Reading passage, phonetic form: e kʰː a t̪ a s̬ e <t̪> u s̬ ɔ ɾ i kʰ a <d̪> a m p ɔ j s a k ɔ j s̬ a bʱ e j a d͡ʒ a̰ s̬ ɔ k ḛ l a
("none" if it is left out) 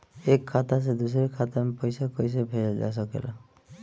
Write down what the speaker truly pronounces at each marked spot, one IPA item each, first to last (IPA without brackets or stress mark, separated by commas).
d̪, t̪